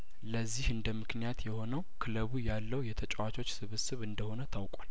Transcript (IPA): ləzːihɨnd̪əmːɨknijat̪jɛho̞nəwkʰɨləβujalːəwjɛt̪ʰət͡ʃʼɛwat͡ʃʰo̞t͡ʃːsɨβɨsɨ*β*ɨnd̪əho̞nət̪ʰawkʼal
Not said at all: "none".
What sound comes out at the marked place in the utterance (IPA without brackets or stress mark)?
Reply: β